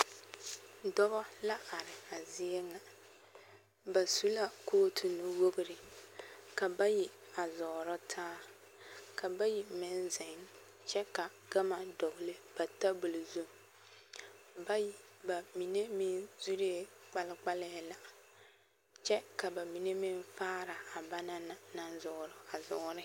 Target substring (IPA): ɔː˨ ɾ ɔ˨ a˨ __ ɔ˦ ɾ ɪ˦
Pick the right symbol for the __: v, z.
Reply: z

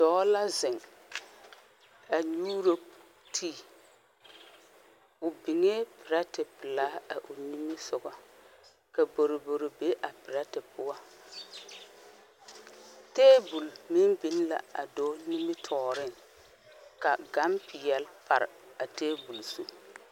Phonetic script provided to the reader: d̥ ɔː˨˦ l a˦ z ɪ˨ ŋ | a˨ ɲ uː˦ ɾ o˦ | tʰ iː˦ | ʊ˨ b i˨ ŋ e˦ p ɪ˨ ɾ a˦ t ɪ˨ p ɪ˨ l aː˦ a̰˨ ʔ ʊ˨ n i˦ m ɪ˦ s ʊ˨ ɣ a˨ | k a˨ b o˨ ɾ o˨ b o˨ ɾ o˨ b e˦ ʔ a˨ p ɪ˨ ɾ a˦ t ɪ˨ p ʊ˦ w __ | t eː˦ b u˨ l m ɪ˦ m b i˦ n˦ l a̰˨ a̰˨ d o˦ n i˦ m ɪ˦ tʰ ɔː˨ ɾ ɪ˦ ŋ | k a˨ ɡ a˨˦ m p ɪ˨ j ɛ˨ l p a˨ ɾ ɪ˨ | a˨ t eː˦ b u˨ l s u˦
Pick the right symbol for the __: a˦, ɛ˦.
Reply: a˦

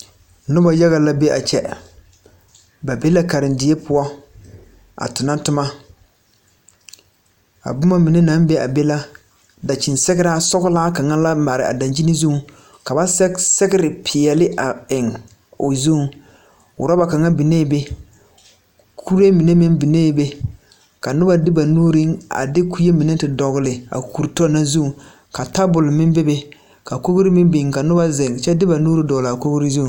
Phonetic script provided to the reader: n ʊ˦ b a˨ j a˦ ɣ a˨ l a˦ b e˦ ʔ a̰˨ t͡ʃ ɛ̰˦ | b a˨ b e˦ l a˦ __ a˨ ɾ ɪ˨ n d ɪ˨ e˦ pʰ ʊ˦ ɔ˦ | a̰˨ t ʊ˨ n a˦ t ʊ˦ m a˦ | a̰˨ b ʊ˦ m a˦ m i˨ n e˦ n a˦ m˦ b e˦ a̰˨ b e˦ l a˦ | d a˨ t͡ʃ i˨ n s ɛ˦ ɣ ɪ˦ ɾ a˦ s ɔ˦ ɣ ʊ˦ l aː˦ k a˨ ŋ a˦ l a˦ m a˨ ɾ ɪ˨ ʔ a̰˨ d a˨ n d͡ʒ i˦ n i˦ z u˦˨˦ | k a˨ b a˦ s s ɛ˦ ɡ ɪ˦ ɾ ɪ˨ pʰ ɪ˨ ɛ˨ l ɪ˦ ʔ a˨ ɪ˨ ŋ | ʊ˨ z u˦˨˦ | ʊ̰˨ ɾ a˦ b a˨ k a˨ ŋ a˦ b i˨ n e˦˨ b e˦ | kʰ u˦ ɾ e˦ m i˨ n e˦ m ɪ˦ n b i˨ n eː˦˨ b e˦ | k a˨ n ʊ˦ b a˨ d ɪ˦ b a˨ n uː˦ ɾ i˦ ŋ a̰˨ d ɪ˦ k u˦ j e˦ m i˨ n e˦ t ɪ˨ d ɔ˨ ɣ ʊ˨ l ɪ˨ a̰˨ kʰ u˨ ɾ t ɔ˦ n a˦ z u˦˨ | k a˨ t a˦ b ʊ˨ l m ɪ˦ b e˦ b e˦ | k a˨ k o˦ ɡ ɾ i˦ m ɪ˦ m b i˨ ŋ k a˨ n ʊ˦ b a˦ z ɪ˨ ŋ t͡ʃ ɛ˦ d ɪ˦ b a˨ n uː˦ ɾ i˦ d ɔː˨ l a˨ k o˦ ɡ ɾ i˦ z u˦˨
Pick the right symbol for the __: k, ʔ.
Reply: k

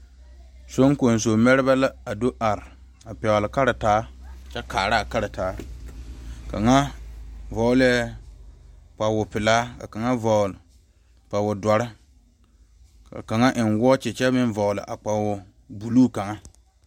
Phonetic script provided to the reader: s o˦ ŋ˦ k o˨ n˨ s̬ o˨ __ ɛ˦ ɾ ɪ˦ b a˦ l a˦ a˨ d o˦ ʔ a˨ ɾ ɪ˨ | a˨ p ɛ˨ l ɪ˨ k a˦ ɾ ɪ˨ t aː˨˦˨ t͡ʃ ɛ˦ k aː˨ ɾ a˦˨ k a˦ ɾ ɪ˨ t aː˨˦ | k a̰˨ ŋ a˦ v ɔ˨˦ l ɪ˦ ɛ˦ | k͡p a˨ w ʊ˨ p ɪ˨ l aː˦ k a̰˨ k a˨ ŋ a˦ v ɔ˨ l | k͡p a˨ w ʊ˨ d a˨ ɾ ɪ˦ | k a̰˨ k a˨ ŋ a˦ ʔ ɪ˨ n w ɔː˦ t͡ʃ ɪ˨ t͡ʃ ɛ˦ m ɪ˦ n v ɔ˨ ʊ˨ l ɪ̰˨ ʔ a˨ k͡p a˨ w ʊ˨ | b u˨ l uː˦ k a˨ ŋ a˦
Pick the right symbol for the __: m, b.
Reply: m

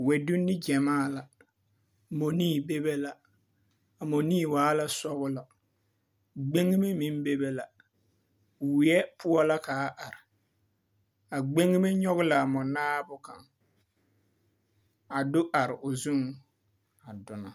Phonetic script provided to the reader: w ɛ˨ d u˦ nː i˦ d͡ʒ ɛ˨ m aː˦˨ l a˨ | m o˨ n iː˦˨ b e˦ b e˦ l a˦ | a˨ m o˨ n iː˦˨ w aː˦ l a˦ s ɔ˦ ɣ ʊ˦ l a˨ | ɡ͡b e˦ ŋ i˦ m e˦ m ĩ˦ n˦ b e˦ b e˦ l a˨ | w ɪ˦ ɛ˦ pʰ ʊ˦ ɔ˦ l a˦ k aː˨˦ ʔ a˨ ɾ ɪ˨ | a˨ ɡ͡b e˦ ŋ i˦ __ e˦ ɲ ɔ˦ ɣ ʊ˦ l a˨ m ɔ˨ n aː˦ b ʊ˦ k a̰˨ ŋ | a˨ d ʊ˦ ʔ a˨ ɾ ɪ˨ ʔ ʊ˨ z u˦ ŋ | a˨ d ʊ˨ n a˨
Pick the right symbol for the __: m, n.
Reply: m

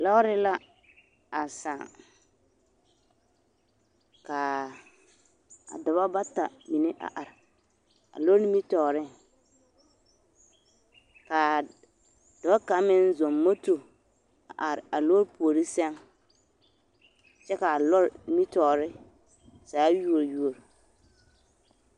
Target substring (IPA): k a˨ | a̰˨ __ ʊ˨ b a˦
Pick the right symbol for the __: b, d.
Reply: d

